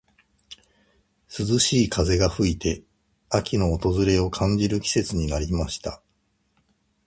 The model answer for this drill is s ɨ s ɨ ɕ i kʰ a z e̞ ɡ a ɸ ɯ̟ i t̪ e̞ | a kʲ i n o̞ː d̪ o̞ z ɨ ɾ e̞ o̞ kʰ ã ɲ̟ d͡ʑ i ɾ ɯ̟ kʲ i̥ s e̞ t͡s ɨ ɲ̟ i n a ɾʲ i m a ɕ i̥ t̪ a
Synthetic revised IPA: s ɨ z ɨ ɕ iː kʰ a z e̞ ɡ a ɸ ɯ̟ i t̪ e̞ | a kʲ i n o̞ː t̪ o̞ z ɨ ɾ e̞ o̞ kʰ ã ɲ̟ d͡ʑ i ɾ ɯ̟ kʲ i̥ s e̞ t͡s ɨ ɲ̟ i n a ɾʲ i m a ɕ i̥ t̪ a